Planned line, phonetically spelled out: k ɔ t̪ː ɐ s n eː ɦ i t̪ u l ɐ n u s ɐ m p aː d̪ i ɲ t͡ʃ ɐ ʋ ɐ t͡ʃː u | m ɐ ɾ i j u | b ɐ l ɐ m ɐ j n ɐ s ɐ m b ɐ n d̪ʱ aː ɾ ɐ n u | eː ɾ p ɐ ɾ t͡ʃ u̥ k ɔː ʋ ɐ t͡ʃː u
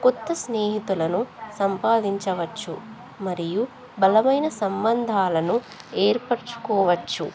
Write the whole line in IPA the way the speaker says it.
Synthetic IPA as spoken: k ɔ t̪ː ɐ s n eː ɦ i t̪ u l ɐ n u s ɐ m p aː d̪ i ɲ t͡ʃ ɐ ʋ ɐ t͡ʃː u | m ɐ ɾ i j u | b ɐ l ɐ m ɐ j n ɐ s ɐ m b ɐ n d̪ʱ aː l ɐ n u | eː ɾ p ɐ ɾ t͡ʃ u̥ k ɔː ʋ ɐ t͡ʃː u

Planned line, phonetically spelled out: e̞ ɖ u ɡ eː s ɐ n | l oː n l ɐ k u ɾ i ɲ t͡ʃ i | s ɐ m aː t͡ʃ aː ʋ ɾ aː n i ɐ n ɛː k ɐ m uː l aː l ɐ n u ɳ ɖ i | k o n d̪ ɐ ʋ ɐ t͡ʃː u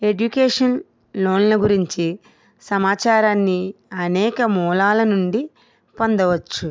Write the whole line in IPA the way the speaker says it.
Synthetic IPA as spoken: e̞ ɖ u k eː ʂ ɐ n | l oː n l ɐ ɡ u ɾ i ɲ t͡ʃ i | s ɐ m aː t͡ʃ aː ɾ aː nː i ɐ n ɛː k ɐ m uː l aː l ɐ n u ɳ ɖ i | p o n d̪ ɐ ʋ ɐ t͡ʃː u

